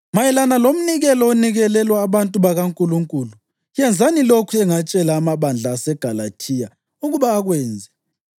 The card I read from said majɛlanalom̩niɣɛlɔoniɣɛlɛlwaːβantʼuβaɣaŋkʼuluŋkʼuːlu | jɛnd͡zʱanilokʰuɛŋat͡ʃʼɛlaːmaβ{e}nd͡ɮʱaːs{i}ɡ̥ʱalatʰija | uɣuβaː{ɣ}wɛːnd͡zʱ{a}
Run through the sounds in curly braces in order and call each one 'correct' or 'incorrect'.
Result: incorrect, incorrect, correct, incorrect

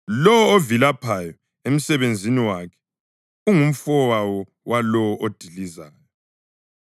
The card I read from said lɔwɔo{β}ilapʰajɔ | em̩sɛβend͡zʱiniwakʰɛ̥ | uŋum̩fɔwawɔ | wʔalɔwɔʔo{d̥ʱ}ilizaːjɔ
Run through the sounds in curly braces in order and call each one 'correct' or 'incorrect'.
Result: incorrect, correct

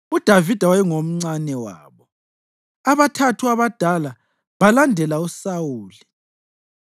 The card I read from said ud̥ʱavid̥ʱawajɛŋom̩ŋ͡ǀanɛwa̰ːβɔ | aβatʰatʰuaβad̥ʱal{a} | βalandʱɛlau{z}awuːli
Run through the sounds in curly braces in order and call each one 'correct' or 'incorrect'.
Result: correct, incorrect

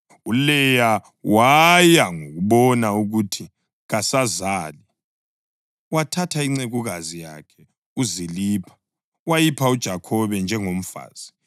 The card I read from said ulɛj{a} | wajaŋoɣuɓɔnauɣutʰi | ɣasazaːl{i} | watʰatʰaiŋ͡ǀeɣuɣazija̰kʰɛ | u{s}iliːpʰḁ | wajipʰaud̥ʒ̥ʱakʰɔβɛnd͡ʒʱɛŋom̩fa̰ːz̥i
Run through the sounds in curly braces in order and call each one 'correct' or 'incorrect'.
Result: correct, correct, incorrect

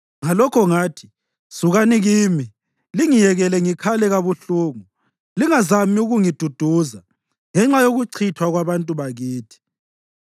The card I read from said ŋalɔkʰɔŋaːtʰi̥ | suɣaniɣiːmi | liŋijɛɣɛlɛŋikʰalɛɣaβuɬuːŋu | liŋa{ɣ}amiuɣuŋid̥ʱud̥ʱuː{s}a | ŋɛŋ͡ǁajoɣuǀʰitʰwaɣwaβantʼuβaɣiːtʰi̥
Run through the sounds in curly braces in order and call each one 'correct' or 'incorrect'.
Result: incorrect, incorrect

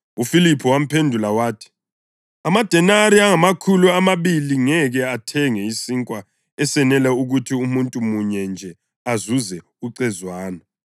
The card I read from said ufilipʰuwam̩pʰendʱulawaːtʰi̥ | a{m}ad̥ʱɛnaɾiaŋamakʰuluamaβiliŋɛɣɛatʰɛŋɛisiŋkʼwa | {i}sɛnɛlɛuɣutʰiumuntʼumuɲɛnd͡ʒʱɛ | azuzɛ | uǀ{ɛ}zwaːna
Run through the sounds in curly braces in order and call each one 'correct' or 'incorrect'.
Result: correct, incorrect, correct

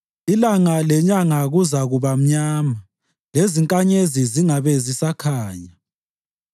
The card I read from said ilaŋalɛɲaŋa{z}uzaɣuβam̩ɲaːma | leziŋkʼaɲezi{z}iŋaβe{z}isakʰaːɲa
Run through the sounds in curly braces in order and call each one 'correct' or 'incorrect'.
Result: incorrect, correct, correct

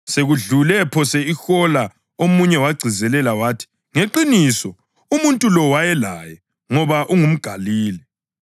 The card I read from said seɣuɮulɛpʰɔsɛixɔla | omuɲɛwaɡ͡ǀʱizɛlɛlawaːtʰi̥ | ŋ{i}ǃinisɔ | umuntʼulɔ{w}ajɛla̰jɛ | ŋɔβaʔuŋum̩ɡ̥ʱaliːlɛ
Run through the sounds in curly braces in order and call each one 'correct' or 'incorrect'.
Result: incorrect, correct

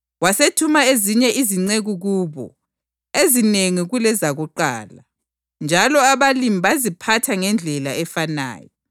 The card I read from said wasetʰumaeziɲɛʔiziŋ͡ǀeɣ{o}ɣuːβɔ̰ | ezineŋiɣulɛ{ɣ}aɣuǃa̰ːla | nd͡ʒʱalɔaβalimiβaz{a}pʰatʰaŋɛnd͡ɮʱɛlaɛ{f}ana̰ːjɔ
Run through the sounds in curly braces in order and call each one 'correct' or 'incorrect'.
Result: incorrect, incorrect, incorrect, correct

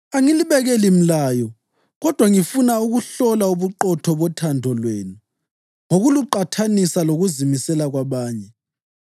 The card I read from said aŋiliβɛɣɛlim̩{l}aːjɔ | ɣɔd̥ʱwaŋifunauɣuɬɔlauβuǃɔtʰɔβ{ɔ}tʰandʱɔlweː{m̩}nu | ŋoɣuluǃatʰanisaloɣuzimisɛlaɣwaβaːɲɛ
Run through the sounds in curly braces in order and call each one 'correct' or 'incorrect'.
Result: correct, correct, incorrect

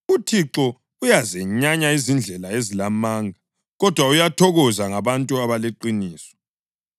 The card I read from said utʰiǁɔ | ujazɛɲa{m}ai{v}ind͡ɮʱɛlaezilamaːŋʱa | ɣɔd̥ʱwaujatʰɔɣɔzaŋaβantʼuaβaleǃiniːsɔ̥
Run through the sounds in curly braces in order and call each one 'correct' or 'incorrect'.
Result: incorrect, incorrect

